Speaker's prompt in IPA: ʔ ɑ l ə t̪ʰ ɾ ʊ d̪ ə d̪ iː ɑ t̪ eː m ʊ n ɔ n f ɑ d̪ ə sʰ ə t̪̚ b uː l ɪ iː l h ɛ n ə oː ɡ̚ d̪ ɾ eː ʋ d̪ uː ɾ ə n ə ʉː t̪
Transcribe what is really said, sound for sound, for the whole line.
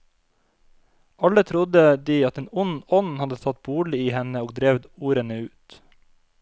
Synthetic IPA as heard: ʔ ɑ l ə t̪ʰ ɾ ʊ d̪ ə d̪ iː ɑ t̪ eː n ʊ n ɔ n h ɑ d̪ ə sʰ ɑ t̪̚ b uː ɭ ɪ iː h ɛ n ə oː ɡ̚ d̪ ɾ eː ʋ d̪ uː ɾ ə n ə ʉː t̪